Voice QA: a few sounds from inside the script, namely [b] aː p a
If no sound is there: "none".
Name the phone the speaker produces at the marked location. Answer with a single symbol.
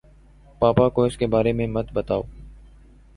p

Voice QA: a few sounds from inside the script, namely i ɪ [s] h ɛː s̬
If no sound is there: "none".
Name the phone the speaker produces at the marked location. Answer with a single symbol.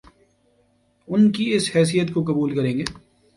s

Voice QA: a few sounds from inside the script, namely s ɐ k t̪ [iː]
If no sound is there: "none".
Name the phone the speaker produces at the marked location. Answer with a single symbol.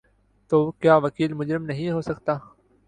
aː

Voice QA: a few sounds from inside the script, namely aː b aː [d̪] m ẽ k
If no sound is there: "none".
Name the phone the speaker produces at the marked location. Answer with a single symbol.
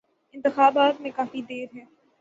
t̪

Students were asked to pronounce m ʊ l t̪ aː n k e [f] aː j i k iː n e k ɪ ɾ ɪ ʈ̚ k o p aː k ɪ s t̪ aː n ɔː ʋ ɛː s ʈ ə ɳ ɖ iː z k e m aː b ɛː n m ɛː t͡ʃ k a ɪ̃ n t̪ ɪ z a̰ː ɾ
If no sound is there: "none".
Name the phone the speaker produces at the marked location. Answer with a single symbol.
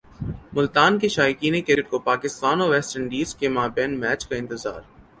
ʃ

